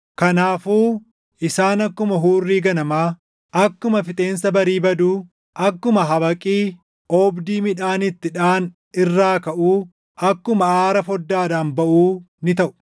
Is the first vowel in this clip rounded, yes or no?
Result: no